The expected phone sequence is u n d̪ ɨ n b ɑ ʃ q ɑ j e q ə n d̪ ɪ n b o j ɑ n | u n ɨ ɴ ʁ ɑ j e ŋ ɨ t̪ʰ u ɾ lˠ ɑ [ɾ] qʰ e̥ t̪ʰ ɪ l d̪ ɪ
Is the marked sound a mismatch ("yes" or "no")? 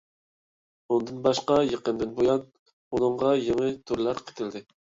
no